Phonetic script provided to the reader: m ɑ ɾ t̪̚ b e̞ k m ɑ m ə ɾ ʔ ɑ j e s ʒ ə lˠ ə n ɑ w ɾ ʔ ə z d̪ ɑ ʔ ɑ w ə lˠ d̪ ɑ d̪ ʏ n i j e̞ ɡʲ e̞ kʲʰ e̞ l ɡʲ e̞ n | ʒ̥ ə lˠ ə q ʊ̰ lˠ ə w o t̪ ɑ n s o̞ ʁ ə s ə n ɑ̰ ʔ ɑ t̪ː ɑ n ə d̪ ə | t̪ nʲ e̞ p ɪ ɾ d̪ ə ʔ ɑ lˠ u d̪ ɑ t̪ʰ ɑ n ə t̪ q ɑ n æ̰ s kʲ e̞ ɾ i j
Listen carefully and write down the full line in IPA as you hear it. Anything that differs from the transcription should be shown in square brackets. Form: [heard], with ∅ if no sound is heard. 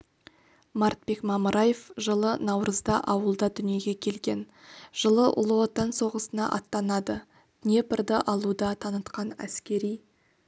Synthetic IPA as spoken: m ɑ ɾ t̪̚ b e̞ k m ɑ m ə ɾ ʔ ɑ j e [f] ʒ ə lˠ ə n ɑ w ɾ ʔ ə z d̪ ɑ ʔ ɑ w ə lˠ d̪ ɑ d̪ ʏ n i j e̞ ɡʲ e̞ kʲʰ e̞ l ɡʲ e̞ n | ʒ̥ ə lˠ ə [ʔ] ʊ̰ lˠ ə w o t̪ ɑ n s o̞ ʁ ə s ə n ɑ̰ ʔ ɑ t̪ː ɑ n [ɑ] d̪ ə | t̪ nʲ e̞ p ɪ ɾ d̪ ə ʔ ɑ lˠ u d̪ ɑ t̪ʰ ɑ n ə t̪ q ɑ n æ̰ s kʲ e̞ ɾ i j